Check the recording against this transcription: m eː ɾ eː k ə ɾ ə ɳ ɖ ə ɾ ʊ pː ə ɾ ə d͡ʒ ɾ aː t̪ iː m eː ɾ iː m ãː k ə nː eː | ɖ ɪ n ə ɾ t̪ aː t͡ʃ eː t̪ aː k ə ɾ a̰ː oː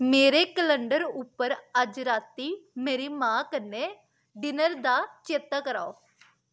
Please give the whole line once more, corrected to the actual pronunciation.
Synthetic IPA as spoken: m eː ɾ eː k ə l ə ɳ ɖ ə ɾ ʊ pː ə ɾ ə d͡ʒ ɾ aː t̪ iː m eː ɾ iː m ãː k ə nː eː | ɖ ɪ n ə ɾ d̪ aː t͡ʃ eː t̪ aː k ə ɾ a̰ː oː

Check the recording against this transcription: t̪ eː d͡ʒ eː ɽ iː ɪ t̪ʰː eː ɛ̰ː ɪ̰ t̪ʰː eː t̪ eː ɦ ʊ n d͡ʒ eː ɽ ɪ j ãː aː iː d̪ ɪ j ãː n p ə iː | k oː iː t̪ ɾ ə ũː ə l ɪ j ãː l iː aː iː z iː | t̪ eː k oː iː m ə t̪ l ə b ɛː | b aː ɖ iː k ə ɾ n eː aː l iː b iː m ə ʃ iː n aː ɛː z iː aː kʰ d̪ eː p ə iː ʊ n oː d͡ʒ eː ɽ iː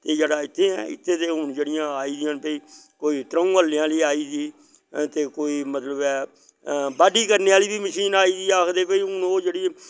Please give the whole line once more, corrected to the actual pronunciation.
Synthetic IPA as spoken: t̪ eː d͡ʒ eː ɽ aː ɪ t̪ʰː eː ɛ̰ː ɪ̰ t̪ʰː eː t̪ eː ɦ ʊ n d͡ʒ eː ɽ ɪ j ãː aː iː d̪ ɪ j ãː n p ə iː | k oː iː t̪ ɾ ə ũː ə l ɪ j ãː l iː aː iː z iː | t̪ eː k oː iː m ə t̪ l ə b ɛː | b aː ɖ iː k ə ɾ n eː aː l iː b iː m ə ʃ iː n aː iː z iː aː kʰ d̪ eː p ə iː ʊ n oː d͡ʒ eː ɽ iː

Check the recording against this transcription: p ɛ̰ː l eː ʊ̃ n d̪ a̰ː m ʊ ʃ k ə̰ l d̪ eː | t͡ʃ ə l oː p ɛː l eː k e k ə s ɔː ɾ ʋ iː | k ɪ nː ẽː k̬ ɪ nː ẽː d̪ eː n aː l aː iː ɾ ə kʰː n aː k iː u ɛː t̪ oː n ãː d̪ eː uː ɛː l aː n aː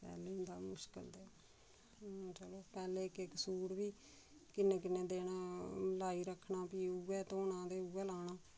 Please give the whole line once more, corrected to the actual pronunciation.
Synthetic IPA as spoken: p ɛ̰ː l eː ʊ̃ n d̪ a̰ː m ʊ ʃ k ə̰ l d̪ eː | t͡ʃ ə l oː p ɛː l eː k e k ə s uː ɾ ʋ iː | k ɪ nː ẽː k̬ ɪ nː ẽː d̪ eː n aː l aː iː ɾ ə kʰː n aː p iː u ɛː t̪ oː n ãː d̪ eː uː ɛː l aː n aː

